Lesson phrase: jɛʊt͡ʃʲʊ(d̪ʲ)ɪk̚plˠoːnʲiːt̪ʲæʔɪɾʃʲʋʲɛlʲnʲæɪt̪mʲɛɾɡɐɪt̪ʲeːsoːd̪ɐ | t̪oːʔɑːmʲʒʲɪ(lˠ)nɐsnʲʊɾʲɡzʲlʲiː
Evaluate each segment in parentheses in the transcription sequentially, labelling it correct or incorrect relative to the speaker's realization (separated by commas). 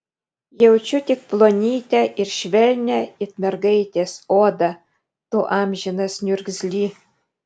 incorrect, incorrect